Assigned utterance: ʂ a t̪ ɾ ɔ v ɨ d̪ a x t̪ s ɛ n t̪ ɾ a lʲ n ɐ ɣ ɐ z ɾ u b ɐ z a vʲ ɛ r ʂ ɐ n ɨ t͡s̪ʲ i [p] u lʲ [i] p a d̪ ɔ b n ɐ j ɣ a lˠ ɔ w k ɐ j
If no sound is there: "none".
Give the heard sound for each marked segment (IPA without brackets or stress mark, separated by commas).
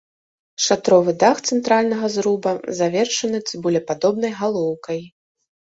b, ɛ